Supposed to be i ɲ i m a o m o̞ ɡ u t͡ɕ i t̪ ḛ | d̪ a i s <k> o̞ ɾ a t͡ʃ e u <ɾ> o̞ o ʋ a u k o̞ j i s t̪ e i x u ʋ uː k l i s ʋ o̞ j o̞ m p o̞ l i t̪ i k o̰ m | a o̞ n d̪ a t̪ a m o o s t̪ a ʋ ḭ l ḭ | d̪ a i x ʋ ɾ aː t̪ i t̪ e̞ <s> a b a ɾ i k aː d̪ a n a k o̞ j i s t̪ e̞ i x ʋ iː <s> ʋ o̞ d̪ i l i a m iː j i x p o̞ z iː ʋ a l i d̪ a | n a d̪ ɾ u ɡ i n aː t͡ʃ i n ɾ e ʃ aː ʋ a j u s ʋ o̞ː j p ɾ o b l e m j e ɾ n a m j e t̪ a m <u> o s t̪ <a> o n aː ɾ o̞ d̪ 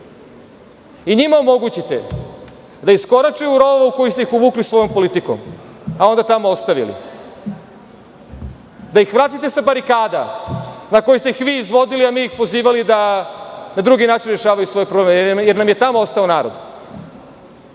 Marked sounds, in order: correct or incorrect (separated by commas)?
correct, correct, correct, incorrect, incorrect, correct